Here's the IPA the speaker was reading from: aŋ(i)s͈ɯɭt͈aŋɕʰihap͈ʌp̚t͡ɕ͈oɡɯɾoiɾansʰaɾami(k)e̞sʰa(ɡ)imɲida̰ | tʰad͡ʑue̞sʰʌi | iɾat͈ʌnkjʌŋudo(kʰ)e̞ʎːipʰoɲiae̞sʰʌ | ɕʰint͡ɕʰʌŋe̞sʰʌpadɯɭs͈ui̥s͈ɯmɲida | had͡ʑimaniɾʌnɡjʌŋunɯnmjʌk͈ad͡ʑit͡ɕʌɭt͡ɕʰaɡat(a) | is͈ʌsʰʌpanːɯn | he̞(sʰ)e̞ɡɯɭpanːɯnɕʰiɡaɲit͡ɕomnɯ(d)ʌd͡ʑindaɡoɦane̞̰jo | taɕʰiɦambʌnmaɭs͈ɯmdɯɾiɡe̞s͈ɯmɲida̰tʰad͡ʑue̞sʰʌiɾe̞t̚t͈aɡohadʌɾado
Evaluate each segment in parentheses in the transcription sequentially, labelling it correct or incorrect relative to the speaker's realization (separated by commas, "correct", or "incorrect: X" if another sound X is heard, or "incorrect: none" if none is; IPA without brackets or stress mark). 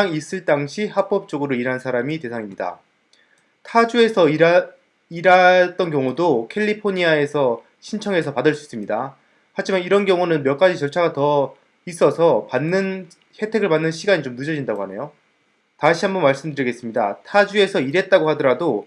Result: correct, incorrect: t, incorrect: ŋ, correct, incorrect: ʌ, incorrect: tʰ, incorrect: d͡ʑ